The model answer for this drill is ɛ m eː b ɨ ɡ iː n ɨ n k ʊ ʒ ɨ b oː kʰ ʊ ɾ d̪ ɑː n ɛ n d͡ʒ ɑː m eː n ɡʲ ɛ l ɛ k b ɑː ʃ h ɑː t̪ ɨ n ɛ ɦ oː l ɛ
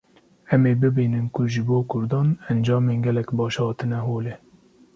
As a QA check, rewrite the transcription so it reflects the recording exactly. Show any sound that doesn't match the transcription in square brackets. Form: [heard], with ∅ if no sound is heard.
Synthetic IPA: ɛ m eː b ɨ [b] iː n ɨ n k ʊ ʒ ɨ b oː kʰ ʊ ɾ d̪ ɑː n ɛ n d͡ʒ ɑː m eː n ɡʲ ɛ l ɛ k b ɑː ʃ h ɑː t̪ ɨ n ɛ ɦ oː l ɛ